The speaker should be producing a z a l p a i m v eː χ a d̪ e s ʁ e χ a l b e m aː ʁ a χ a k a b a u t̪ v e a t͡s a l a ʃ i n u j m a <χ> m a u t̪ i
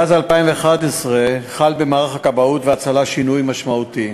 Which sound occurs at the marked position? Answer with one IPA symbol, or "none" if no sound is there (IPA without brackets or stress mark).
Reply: ʃ